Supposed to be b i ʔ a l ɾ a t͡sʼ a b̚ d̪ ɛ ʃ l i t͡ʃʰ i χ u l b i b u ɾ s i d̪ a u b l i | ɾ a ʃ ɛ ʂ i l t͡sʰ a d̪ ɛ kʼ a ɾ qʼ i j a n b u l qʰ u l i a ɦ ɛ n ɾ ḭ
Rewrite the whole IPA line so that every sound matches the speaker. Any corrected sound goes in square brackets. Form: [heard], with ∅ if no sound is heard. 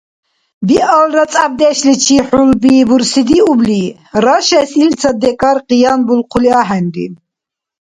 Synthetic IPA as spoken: b i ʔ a l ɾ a t͡sʼ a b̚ d̪ ɛ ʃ l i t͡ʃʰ i [ħ] u l b i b u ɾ s i d̪ [i] u b l i | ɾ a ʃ ɛ [s] i l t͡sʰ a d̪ ɛ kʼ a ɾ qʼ i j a n b u l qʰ u l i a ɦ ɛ n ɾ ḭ

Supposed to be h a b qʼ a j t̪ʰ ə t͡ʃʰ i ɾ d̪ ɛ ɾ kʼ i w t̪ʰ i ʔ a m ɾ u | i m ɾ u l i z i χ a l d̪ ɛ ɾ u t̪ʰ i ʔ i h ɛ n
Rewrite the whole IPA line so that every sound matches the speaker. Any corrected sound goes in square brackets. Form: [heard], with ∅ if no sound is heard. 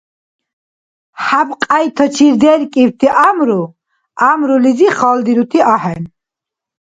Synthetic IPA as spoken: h a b qʼ a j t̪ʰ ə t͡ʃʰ i ɾ d̪ ɛ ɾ kʼ i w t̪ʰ i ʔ a m ɾ u | [a] m ɾ u l i z i χ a l d̪ [i] ɾ u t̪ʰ i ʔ [a] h ɛ n

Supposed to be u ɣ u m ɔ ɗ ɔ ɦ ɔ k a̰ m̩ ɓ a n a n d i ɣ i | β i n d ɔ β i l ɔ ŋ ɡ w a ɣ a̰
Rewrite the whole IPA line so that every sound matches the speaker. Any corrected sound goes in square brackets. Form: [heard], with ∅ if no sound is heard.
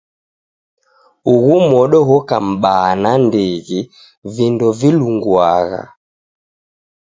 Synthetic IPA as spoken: u ɣ u m ɔ ɗ ɔ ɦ ɔ k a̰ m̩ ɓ a n a n d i ɣ i | [v] i n d ɔ [v] i l [u] ŋ ɡ w a ɣ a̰

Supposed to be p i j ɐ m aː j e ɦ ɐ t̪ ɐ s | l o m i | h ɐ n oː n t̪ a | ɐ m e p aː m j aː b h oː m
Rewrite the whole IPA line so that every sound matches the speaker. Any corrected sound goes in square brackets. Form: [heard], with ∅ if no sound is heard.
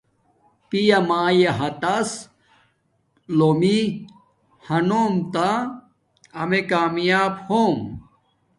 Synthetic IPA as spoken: p i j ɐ m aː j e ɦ ɐ t̪ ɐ s | l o m i | h ɐ n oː [m] t̪ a | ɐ m e [k] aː m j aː b h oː m

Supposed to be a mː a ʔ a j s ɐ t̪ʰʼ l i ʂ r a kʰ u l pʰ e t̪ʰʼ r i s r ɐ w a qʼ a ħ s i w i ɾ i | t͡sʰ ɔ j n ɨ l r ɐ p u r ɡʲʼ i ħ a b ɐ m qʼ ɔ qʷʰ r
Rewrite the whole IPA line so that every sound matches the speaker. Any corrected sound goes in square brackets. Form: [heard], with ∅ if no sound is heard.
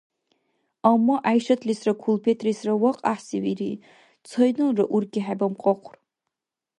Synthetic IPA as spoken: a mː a ʔ a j [ʃ] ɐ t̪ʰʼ l i [s] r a kʰ u l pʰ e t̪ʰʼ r i s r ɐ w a qʼ a ħ s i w i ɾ i | t͡sʰ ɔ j n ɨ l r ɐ [ʔ] u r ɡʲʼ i ħ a b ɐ m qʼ ɔ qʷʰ r

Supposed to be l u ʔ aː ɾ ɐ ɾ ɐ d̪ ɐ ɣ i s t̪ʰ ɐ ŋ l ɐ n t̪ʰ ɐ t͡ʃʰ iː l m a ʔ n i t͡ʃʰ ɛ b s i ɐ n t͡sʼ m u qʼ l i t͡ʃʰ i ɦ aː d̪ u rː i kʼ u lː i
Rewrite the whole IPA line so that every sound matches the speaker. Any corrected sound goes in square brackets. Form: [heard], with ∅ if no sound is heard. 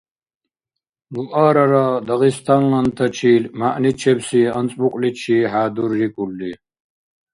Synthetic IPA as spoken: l u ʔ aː ɾ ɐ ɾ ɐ d̪ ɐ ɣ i s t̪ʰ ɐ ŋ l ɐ n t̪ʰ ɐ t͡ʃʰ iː l m a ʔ n i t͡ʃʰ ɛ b s i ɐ n t͡sʼ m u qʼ l i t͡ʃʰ i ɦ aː d̪ u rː i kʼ u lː i

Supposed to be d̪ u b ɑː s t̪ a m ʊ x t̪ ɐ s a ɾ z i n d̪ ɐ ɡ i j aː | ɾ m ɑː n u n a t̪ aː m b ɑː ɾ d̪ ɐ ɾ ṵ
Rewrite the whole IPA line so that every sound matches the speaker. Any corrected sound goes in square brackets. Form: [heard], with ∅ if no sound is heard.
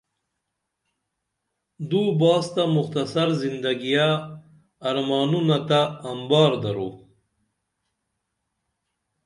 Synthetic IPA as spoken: d̪ u b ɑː s t̪ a m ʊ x t̪ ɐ s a ɾ z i n d̪ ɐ ɡ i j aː | ɾ m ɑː n u n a t̪ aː m b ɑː ɾ d̪ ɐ ɾ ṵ

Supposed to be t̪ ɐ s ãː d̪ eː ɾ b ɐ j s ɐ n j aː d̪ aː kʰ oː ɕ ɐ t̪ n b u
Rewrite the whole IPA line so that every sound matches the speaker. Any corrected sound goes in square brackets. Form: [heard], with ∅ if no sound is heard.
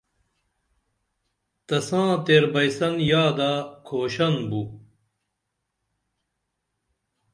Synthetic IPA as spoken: t̪ ɐ s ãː [t̪] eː ɾ b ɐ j s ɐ n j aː d̪ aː kʰ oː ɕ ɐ [∅] n b u

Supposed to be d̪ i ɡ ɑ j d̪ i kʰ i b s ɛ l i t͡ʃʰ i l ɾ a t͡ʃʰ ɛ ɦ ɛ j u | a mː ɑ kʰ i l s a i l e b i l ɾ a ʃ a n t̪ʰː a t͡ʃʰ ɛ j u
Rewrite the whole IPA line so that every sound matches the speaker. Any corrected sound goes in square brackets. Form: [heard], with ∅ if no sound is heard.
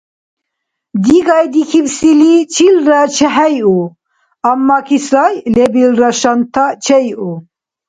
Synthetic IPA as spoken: d̪ i ɡ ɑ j d̪ i kʰ i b s [i] l i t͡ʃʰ i l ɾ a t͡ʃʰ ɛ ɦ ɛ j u | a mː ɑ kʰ i [∅] s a [j] l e b i l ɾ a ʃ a n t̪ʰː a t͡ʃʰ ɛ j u

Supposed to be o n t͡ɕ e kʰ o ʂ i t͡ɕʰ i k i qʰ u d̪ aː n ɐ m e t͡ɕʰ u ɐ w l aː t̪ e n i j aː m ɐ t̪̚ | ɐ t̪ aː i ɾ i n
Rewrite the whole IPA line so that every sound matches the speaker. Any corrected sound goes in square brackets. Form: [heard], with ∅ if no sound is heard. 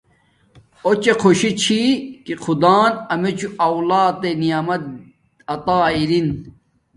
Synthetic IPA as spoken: o [∅] t͡ɕ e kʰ o [ɕ] i t͡ɕʰ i k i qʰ u d̪ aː n ɐ m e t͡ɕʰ u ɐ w l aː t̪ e n i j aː m ɐ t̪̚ | ɐ t̪ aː i ɾ i n

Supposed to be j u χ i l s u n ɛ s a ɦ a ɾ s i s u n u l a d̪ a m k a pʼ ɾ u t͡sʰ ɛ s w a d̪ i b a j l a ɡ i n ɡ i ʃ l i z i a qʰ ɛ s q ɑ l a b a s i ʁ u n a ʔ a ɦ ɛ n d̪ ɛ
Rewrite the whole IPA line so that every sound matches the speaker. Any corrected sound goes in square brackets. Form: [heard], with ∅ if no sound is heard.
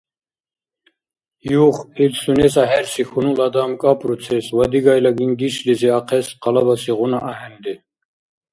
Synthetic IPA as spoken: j u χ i l s u n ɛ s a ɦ [ɛ] ɾ s i [x] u n u l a d̪ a m [kʼ] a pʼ ɾ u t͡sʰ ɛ s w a d̪ i [ɡ] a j l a ɡ i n ɡ i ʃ l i z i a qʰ ɛ s q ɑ l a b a s i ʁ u n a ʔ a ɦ ɛ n d̪ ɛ

